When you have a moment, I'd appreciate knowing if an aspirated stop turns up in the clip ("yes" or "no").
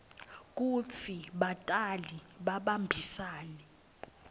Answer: no